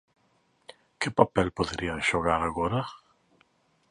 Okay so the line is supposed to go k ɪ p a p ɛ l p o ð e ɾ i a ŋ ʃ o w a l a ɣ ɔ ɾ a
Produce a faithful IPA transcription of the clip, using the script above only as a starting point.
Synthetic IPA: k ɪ p a p ɛ l p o ð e ɾ i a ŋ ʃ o ɣ a ɾ a ɣ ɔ ɾ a